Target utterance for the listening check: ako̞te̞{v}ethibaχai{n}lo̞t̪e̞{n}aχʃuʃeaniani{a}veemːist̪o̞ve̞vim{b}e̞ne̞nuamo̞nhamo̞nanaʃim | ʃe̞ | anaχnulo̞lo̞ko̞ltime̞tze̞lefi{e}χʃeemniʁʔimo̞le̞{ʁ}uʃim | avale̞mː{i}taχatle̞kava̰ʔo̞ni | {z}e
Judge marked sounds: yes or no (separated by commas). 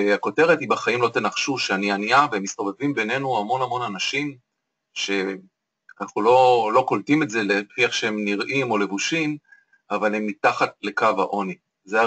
no, no, yes, yes, yes, no, no, yes, yes